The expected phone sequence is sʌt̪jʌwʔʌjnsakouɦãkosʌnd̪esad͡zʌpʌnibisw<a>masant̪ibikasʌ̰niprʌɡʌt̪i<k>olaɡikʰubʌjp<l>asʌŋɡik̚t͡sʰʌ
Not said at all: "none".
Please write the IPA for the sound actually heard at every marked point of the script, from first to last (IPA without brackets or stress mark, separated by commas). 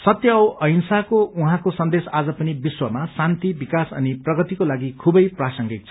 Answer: ʌ, k, r